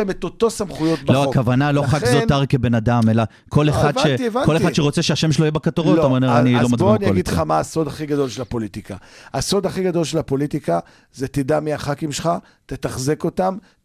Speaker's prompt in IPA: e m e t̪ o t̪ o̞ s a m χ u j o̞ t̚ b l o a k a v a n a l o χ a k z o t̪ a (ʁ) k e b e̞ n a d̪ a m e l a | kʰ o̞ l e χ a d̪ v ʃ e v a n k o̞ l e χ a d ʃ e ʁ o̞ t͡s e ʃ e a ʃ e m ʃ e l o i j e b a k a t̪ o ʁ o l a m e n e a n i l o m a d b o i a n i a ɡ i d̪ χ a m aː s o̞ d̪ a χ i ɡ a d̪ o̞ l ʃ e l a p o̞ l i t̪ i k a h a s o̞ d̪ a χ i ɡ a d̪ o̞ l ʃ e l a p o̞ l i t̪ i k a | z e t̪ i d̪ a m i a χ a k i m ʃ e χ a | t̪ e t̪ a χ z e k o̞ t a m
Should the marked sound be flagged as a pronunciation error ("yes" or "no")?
no